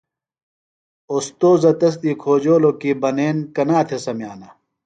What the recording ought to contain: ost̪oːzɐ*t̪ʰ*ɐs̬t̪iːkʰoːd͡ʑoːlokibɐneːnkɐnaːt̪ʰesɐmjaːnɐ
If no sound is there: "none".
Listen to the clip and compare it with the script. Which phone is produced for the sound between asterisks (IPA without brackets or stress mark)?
t̪